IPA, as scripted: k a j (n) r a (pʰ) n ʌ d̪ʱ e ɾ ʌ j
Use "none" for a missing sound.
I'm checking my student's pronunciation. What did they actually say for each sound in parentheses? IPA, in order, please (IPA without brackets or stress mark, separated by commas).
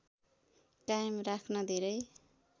m, kʰ